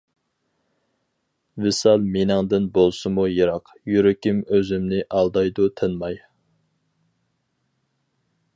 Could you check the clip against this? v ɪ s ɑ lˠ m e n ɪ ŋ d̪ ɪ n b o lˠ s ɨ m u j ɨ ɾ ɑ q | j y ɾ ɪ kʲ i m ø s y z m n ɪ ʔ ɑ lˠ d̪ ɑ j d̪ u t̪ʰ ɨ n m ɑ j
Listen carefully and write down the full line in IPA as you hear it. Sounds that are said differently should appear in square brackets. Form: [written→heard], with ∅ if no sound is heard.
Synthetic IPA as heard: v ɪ s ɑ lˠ m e n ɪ ŋ d̪ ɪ n b o lˠ s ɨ m u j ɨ ɾ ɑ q | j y ɾ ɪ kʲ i m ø [s→z] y [z→∅] m n ɪ ʔ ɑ lˠ d̪ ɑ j d̪ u t̪ʰ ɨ n m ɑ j